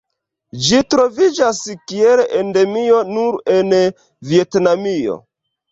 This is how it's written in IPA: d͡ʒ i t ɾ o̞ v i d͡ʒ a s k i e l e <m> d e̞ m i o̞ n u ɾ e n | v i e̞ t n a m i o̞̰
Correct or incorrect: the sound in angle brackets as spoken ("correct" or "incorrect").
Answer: incorrect